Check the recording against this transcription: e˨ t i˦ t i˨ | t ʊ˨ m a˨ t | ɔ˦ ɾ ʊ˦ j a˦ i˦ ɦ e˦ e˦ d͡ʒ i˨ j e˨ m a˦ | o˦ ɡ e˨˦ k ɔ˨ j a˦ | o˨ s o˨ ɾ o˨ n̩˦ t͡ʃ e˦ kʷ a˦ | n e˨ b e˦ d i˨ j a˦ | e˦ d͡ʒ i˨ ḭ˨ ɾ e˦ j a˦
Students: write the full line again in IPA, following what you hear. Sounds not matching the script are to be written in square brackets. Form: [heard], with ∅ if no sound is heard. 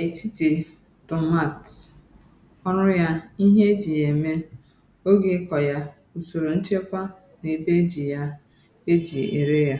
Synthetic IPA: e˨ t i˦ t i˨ | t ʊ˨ m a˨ t | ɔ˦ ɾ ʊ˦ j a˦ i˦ ɦ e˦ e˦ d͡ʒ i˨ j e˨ m [e˦] | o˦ ɡ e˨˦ k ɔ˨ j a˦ | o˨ s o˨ ɾ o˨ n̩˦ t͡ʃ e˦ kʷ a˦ | n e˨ b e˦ [d͡ʒ] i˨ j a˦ | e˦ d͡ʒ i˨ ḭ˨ ɾ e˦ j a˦